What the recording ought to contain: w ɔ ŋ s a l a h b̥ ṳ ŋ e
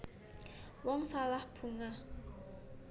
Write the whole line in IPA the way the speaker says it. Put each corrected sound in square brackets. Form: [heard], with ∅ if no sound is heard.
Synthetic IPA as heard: w ɔ ŋ s a l a h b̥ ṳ ŋ [a]